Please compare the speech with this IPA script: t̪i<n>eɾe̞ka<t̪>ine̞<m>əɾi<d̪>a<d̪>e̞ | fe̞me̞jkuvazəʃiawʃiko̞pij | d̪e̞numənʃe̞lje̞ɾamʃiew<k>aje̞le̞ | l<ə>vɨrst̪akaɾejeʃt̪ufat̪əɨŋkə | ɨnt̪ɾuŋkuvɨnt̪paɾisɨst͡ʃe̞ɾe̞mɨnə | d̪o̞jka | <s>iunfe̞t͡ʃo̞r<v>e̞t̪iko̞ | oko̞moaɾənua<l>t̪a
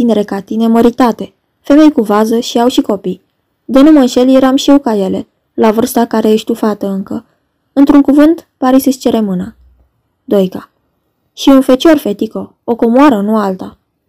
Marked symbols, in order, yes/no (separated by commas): yes, yes, yes, no, no, yes, no, no, no, yes